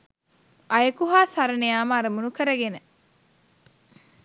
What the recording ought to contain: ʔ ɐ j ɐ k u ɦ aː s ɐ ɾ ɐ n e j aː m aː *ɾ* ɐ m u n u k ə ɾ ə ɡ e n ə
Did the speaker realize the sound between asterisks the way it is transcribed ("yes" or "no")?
yes